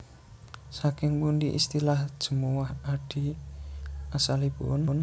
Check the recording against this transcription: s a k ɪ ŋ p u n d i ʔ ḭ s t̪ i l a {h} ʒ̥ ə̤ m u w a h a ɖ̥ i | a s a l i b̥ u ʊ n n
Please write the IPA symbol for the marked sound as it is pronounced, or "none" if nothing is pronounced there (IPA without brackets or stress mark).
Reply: h